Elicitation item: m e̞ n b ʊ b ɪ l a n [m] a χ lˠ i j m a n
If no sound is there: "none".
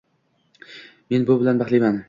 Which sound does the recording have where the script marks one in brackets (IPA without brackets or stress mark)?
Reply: b